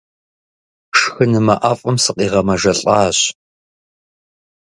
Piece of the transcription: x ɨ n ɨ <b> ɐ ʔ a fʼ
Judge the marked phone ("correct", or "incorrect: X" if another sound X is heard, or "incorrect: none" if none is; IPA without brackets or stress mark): incorrect: m